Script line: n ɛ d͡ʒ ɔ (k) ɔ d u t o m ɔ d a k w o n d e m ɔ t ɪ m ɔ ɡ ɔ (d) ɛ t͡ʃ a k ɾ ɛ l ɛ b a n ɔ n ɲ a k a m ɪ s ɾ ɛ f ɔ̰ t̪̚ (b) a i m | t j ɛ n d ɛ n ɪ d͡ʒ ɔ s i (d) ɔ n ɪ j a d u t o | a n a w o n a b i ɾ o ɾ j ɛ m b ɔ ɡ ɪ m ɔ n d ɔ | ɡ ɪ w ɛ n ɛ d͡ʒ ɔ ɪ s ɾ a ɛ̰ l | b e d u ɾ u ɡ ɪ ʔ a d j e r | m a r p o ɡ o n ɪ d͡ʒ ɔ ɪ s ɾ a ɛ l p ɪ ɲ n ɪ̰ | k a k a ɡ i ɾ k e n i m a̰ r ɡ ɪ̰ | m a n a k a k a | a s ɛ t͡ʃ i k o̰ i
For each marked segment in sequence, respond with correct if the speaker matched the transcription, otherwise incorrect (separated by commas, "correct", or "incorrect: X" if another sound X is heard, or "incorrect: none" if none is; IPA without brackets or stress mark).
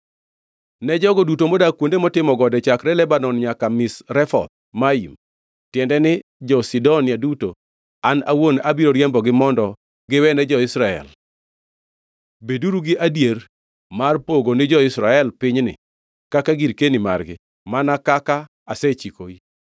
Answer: incorrect: ɡ, correct, incorrect: m, correct